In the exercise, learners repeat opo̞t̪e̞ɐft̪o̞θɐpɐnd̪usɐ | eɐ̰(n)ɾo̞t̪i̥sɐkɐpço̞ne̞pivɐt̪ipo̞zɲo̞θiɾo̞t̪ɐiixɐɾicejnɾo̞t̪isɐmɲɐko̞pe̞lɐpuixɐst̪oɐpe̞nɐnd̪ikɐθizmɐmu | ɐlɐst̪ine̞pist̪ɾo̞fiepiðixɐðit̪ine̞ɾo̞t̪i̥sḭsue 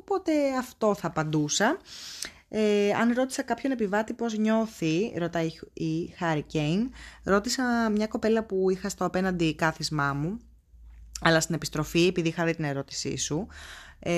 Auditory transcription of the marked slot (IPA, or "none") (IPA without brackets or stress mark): n